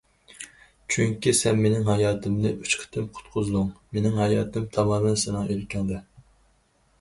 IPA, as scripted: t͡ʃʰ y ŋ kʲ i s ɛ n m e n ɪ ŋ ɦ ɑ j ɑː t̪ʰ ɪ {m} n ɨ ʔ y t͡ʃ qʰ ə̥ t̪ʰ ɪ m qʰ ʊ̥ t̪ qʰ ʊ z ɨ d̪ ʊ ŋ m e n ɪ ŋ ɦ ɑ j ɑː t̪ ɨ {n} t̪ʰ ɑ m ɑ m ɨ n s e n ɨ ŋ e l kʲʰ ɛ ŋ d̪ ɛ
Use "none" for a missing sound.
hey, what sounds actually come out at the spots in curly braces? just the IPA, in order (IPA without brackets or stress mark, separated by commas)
m, m